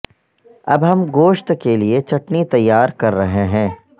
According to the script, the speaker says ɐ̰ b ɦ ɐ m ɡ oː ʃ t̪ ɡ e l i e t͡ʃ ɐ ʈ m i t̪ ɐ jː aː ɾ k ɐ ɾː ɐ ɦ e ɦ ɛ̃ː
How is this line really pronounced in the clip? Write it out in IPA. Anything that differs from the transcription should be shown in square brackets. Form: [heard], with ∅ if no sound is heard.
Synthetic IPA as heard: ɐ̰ b ɦ ɐ m ɡ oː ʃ t̪ [k] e l i e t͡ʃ ɐ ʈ [n] i t̪ ɐ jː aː ɾ k ɐ ɾː ɐ ɦ e ɦ ɛ̃ː